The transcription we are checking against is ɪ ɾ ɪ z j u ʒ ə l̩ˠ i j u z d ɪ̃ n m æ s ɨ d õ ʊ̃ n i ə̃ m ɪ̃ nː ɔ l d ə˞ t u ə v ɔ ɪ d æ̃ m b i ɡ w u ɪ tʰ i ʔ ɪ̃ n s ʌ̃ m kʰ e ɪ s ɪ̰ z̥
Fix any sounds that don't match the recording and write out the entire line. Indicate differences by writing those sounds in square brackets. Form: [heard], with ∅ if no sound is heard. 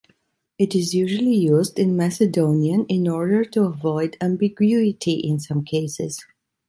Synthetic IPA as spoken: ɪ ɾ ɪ z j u ʒ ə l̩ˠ i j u z d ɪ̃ n m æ s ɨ d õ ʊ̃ n i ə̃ [n] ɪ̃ [n] ɔ [ɹ] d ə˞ t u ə v ɔ ɪ d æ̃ m b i ɡ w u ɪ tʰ i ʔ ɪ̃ n s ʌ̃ m kʰ e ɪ s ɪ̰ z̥